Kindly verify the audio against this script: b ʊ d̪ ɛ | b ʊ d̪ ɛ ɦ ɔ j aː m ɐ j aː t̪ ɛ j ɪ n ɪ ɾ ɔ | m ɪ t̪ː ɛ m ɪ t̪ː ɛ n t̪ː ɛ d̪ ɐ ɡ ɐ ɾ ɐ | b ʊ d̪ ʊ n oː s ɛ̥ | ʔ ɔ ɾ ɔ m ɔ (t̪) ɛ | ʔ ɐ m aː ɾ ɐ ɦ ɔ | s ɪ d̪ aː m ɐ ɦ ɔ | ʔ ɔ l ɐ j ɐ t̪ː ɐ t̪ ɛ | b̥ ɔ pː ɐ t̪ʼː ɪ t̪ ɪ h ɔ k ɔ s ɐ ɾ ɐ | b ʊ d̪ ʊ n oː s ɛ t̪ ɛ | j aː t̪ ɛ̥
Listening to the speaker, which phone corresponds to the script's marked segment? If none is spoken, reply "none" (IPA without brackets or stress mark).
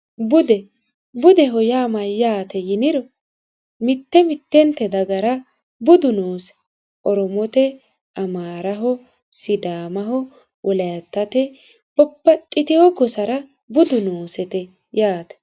t̪